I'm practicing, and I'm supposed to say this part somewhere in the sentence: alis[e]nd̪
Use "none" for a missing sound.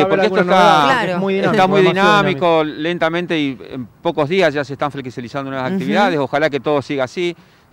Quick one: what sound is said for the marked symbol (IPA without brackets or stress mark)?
a